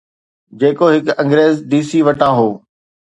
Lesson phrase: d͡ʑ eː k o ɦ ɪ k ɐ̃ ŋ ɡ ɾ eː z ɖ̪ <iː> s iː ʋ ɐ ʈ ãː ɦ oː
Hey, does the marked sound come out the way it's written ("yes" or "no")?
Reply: yes